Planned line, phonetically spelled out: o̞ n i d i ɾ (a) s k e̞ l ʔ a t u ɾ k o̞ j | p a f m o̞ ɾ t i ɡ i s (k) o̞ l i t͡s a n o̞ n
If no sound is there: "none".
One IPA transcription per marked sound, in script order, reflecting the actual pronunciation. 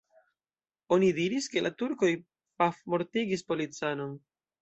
i, p

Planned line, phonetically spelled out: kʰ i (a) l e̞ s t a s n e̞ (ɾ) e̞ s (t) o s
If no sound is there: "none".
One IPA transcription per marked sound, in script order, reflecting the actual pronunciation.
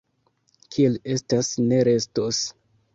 e, ɾ, t

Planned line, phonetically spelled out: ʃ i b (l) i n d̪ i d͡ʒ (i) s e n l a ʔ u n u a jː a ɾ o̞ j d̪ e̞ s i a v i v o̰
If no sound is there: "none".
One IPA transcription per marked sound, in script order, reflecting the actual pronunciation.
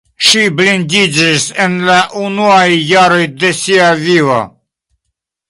l, i

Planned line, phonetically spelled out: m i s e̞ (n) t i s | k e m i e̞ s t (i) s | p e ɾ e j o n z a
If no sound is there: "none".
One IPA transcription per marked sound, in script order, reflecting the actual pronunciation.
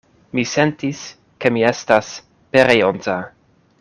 n, a

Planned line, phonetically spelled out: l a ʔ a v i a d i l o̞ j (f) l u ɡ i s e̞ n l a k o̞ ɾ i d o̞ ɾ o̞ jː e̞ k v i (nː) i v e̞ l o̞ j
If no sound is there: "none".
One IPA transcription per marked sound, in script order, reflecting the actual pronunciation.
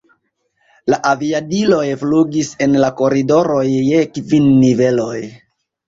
f, nː

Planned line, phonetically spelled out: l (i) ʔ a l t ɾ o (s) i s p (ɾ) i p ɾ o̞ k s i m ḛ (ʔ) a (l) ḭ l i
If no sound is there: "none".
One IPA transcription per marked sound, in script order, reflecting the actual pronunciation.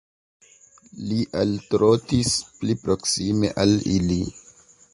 i, t, l, ʔ, l

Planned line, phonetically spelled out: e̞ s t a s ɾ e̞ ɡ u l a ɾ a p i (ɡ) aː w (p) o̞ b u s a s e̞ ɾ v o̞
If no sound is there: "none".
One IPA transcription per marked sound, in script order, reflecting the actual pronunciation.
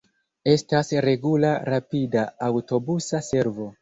d, t

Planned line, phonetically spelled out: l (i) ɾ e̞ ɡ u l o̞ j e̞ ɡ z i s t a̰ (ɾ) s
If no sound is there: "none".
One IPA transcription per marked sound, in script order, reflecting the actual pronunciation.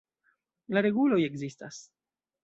a, none

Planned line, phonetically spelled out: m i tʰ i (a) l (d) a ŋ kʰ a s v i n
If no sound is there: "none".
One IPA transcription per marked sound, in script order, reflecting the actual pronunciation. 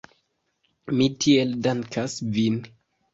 e, d

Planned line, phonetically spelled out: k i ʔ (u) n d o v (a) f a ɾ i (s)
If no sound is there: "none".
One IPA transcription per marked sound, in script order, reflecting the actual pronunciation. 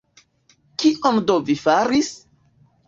o, i, s

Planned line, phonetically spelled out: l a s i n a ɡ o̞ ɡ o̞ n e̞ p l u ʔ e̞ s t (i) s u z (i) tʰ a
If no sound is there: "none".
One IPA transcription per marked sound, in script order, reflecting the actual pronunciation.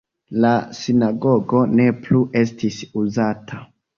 i, a

